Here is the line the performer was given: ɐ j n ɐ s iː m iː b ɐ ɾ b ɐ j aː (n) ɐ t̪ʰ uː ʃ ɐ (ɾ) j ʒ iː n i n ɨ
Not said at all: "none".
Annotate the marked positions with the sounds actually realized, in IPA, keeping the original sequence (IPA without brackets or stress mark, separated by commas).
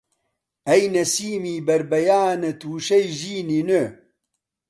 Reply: n, none